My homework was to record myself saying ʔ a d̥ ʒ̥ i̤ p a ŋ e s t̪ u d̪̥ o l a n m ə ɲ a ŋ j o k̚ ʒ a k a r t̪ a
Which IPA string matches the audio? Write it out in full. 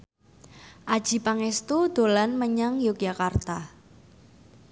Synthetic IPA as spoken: ʔ a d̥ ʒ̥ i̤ p a ŋ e s t̪ u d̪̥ o l a n m ə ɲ a ŋ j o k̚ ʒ a k a r t̪ a